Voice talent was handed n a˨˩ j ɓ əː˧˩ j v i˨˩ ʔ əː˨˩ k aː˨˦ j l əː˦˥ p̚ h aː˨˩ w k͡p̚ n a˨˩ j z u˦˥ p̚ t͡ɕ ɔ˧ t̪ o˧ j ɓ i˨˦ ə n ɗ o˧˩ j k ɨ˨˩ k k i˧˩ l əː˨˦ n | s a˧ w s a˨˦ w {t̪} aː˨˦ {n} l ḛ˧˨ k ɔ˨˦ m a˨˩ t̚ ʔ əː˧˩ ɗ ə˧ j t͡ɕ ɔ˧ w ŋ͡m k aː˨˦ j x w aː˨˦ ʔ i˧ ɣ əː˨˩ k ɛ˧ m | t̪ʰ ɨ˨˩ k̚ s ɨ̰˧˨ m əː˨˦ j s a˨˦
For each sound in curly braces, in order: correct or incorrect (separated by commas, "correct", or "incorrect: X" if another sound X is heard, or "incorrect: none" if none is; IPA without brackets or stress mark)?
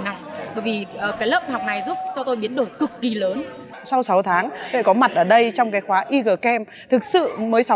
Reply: incorrect: t̪ʰ, incorrect: ŋ